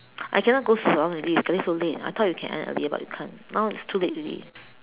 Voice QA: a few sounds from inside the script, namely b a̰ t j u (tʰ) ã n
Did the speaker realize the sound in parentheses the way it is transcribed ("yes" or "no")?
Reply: no